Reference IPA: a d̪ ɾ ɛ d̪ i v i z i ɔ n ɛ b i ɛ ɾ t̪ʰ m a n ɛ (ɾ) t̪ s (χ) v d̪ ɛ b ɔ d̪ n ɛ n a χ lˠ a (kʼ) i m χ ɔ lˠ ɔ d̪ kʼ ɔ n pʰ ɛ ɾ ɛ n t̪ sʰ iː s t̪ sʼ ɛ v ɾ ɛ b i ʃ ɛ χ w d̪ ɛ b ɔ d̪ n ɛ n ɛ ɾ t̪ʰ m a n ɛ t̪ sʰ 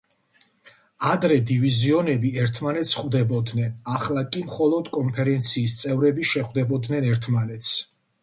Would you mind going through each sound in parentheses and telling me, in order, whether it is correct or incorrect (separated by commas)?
incorrect, correct, correct